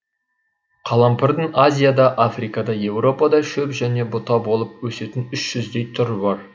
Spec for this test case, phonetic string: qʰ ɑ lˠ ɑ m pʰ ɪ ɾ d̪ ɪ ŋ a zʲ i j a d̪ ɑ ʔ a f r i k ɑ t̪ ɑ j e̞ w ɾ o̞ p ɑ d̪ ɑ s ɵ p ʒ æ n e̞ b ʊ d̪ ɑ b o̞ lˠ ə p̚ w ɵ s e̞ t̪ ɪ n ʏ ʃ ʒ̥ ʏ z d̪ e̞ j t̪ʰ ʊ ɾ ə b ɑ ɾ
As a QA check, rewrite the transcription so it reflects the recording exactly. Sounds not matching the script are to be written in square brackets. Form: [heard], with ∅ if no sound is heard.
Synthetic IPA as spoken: qʰ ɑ lˠ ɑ m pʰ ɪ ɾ d̪ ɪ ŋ a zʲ i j a d̪ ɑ ʔ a f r i k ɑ [d̪] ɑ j e̞ w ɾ o̞ p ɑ d̪ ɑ [ʃ] ɵ p ʒ æ n e̞ b ʊ [t̪] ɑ b o̞ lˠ ə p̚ w ɵ s e̞ t̪ ɪ n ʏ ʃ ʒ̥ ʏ z d̪ e̞ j t̪ʰ ʊ ɾ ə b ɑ ɾ

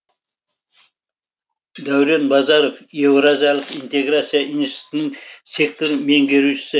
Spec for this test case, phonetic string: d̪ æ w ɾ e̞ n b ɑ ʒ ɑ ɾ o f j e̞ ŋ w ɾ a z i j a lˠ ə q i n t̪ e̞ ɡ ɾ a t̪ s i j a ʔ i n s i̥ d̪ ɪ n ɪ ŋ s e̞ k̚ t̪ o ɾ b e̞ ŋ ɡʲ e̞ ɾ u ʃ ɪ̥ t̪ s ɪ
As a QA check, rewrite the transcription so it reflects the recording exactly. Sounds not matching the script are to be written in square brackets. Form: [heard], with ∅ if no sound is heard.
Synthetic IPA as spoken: d̪ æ w ɾ e̞ n b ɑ [z] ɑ ɾ o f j e̞ [∅] w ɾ a z i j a lˠ ə q i n t̪ e̞ ɡ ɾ a t̪ s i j a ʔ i n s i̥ [t̪] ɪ n ɪ ŋ s e̞ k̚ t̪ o ɾ [m] e̞ ŋ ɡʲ e̞ ɾ u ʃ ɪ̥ [∅] s ɪ

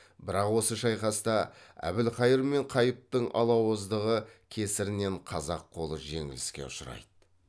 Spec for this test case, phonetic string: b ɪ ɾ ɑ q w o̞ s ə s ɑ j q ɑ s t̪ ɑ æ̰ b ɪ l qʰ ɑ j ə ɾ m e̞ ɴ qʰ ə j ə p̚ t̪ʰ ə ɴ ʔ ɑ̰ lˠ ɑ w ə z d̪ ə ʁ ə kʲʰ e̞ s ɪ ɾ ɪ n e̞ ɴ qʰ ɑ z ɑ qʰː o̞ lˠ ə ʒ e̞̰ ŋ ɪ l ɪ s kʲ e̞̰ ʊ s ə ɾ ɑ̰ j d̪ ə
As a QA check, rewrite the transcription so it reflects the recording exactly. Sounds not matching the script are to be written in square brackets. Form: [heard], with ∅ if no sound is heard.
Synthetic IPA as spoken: b ɪ ɾ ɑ q w o̞ s ə [ʃ] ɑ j q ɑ s t̪ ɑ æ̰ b ɪ l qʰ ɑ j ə ɾ m e̞ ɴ qʰ [ɑ] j ə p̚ [t̪] ə ɴ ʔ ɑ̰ lˠ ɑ w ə z d̪ ə ʁ ə kʲʰ e̞ s ɪ ɾ ɪ n e̞ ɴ qʰ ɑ z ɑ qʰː o̞ lˠ ə ʒ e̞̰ ŋ ɪ l ɪ s kʲ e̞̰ ʊ [ʃ] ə ɾ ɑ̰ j d̪ ə

